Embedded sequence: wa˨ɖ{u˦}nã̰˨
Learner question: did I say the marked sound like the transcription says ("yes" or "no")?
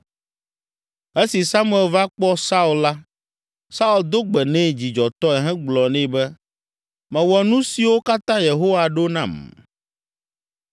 no